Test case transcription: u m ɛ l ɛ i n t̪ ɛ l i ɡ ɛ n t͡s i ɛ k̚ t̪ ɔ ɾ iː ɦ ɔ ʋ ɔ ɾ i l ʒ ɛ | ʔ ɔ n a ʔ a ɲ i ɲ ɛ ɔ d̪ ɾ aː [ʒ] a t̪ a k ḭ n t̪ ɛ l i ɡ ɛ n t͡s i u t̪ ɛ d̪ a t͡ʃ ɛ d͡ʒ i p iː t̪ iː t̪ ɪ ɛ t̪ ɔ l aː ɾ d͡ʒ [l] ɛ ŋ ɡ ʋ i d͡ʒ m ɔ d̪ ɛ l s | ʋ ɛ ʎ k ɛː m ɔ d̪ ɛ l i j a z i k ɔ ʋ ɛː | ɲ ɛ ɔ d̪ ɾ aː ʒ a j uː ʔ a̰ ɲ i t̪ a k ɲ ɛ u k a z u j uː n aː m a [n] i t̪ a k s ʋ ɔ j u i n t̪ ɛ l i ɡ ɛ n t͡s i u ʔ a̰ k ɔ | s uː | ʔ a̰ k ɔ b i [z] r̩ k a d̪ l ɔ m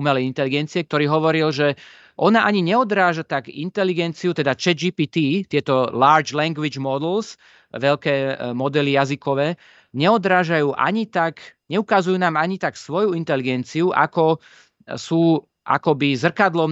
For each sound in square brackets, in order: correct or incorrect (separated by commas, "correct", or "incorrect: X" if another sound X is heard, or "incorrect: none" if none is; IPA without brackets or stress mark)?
correct, correct, incorrect: ɲ, correct